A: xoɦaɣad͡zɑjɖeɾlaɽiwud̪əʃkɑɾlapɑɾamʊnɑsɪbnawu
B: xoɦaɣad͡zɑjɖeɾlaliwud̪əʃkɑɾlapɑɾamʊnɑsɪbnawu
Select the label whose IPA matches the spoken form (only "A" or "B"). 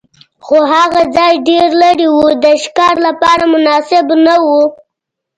A